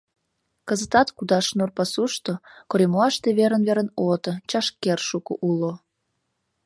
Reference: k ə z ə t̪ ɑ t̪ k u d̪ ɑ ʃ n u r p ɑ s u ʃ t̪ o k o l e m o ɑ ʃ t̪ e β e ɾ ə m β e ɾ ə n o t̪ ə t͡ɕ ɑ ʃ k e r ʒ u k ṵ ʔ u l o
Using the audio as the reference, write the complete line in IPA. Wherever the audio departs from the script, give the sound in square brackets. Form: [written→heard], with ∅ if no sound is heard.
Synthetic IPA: k ə z ə t̪ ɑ t̪ k u d̪ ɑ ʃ n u r p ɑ s u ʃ t̪ o k o [l→ɾ] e m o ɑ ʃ t̪ e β e ɾ ə [m→n] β e ɾ ə n o t̪ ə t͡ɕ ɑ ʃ k e r [ʒ→ʃ] u k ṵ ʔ u l o